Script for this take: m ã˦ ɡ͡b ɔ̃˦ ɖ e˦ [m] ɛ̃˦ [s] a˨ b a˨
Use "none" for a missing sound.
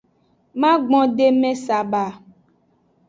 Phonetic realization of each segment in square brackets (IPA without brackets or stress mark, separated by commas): m, s